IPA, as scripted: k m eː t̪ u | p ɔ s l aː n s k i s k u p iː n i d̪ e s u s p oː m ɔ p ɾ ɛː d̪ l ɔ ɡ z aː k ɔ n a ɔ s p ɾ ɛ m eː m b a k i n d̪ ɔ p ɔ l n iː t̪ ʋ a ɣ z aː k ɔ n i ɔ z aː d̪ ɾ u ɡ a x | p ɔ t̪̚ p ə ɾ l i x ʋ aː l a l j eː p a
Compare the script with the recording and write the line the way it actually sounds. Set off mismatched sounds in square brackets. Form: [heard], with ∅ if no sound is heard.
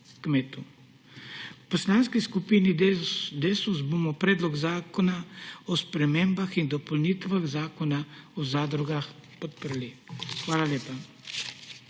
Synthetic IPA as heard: k m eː t̪ u | p ɔ s l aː n s k i s k u p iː n i d̪ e s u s [b] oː m ɔ p ɾ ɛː d̪ l ɔ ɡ z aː k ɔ n a ɔ s p ɾ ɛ m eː m b a [x] i n d̪ ɔ p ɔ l n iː t̪ ʋ a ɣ z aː k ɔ n [a] ɔ z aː d̪ ɾ u ɡ a x | p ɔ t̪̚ p ə ɾ l i x ʋ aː l a l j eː p a